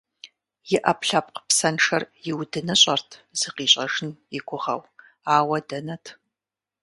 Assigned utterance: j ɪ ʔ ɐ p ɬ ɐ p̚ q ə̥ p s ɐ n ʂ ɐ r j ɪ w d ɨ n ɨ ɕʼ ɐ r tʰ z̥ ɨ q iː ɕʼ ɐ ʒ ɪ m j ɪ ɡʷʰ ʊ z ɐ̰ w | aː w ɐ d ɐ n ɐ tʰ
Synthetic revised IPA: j ɪ ʔ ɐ p ɬ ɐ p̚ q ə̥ p s ɐ n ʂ ɐ r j ɪ w d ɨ n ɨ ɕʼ ɐ r tʰ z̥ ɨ q iː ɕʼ ɐ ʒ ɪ n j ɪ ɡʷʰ ʊ ʁ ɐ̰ w | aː w ɐ d ɐ n ɐ tʰ